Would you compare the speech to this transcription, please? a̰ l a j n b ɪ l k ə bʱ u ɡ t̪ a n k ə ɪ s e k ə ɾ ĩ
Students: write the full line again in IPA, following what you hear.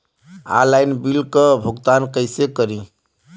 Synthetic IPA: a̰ l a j n b i l k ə bʱ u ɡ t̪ a n k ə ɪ s e k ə ɾ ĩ